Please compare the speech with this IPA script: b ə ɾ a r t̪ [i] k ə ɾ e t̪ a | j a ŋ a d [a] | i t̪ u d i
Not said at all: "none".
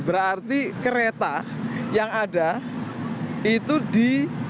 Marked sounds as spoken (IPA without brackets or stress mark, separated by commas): i, a